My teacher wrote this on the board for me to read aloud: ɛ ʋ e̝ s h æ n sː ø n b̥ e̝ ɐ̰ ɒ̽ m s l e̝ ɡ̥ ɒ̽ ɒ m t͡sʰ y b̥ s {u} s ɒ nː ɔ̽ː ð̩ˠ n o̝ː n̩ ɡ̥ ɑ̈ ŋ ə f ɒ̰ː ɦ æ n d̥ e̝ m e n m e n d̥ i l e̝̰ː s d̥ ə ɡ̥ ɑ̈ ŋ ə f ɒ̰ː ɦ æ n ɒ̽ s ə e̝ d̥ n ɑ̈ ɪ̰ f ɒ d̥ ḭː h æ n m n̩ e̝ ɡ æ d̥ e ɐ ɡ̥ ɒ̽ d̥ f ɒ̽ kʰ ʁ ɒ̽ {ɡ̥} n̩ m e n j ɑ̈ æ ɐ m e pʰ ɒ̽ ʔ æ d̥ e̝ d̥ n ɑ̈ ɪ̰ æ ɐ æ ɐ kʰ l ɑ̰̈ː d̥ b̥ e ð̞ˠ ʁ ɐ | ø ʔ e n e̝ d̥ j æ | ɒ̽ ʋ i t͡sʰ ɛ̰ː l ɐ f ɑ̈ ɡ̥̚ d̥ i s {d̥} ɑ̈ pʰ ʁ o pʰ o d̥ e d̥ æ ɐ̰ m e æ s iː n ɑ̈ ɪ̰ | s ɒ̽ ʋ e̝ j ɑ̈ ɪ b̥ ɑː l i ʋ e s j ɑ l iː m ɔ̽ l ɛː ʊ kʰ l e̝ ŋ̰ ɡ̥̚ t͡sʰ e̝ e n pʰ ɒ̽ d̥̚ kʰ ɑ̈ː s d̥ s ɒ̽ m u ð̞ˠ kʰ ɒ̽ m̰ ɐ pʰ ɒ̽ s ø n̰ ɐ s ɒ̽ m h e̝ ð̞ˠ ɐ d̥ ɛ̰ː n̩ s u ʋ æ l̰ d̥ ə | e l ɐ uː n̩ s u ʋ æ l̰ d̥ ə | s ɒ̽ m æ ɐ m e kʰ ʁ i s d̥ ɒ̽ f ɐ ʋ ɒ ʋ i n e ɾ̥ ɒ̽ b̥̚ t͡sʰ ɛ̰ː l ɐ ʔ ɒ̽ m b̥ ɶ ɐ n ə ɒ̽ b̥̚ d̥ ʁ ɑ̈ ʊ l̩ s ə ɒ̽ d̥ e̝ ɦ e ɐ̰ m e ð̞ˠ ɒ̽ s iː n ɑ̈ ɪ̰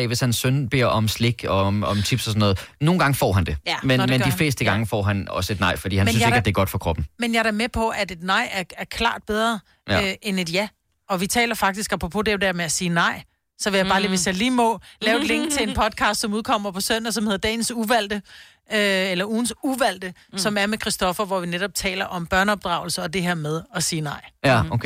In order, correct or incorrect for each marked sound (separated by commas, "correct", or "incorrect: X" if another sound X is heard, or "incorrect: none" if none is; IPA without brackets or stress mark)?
incorrect: ɒ, incorrect: b̥, incorrect: ɡ̥